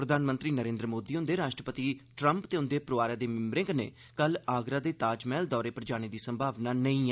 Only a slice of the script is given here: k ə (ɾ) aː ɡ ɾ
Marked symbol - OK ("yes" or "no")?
no